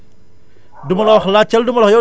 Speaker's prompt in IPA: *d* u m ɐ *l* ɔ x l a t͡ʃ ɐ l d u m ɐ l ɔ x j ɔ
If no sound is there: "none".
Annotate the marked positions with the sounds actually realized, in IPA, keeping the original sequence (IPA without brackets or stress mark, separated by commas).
d, l